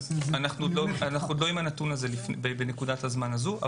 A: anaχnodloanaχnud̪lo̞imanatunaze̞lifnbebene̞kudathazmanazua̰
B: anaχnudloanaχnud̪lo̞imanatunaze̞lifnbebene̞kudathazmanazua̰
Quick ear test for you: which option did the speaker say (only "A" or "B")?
B